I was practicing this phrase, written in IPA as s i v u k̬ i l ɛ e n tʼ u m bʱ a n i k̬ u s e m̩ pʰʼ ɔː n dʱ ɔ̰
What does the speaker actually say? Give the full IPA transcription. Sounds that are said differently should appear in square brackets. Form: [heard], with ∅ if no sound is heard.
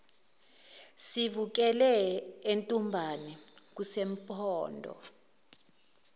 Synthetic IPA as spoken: s i v u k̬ [ɛ] l ɛ e n tʼ u m bʱ a n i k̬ u s e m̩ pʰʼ ɔː n dʱ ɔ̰

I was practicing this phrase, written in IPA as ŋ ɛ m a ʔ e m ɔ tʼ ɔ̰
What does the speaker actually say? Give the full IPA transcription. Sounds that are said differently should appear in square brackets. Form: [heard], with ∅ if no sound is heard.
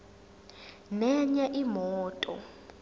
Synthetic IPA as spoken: [n] ɛ [ɲ] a ʔ [i] m [ɔː] tʼ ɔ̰

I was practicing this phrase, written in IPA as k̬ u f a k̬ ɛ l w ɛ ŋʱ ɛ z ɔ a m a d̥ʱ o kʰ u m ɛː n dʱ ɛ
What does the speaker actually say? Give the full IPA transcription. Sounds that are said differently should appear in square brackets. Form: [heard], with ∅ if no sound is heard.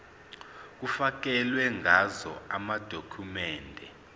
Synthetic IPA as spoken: k̬ u f a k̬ ɛ l w ɛ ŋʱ [a] z ɔ a m a d̥ʱ o kʰ u m ɛː n dʱ ɛ

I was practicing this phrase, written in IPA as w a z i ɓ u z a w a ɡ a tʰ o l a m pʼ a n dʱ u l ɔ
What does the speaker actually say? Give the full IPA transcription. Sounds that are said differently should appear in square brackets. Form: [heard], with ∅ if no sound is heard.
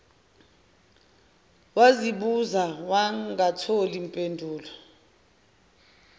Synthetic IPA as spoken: w a z i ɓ u z a w a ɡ a tʰ o l [i] m pʼ [e] n dʱ [uː] l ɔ

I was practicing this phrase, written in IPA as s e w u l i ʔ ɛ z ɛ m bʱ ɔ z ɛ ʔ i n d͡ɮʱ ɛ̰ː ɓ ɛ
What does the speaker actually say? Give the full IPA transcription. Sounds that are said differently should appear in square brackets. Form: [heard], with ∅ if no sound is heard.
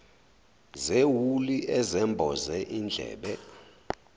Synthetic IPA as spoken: [z] e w u l i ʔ ɛ z ɛ m bʱ ɔ z ɛ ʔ i n d͡ɮʱ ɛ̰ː ɓ ɛ

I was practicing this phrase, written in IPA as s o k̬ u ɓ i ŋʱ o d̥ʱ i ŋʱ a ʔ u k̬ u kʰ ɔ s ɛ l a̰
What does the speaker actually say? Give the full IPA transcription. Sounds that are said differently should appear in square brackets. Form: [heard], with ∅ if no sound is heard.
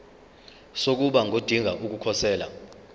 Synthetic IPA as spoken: s o k̬ u ɓ [a] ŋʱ o d̥ʱ i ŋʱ a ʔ u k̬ u kʰ ɔ s [ɛː] l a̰

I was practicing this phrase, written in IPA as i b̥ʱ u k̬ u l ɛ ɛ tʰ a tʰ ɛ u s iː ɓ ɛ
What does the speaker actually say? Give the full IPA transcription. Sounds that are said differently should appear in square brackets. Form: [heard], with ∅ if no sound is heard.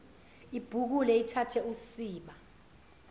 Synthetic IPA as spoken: i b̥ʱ u k̬ u l ɛ [i] tʰ a tʰ ɛ u s iː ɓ [a]

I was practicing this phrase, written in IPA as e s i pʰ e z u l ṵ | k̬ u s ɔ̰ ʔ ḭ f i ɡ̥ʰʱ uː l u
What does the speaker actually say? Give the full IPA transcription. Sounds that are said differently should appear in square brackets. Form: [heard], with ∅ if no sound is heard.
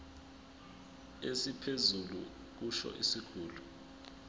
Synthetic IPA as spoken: e s i pʰ e z u l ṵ | k̬ u [ʃ] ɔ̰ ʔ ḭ [s] i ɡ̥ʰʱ uː l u

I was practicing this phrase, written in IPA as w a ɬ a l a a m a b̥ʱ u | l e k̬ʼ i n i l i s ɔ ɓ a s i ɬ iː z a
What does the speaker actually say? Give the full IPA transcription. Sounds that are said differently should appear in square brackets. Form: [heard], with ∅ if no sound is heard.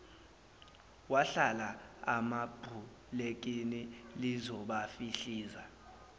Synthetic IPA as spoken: w a ɬ a l a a m a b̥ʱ u | l e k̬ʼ i n i l i [z] ɔ ɓ a [f] i ɬ iː z a

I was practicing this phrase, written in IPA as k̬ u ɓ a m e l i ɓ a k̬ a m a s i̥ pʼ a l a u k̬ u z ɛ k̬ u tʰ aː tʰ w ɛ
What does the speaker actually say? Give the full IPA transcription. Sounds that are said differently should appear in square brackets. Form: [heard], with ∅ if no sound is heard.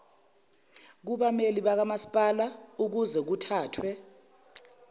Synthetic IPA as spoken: k̬ u ɓ a m e l i ɓ a k̬ a m a s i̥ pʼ a l a u k̬ u z ɛ k̬ u tʰ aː tʰ w ɛ

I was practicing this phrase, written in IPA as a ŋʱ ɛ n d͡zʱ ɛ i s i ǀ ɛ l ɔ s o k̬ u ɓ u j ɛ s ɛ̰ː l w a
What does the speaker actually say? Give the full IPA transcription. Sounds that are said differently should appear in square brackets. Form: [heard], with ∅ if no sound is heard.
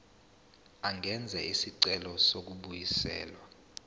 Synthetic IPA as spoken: a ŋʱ ɛ n d͡zʱ ɛ i s i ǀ ɛ l ɔ s o k̬ u ɓ u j [i] s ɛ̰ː l w a

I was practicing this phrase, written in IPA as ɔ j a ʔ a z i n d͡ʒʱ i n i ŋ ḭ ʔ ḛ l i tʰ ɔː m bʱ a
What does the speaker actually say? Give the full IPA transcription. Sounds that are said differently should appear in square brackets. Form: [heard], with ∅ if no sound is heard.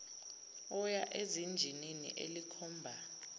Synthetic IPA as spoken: ɔ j a ʔ [e] z i n d͡ʒʱ i n i [n] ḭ ʔ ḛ l i [kʰ] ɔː m bʱ a

